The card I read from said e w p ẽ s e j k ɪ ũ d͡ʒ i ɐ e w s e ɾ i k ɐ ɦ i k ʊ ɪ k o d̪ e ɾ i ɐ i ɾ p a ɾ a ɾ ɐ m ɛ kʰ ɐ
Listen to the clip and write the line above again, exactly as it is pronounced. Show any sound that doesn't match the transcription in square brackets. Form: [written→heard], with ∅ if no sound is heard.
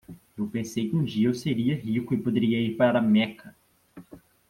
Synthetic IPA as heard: e w p ẽ s e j k ɪ ũ d͡ʒ i ɐ e w s e ɾ i [k→∅] ɐ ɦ i k ʊ ɪ [k→p] o d̪ e ɾ i ɐ i ɾ p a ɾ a ɾ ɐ m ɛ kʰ ɐ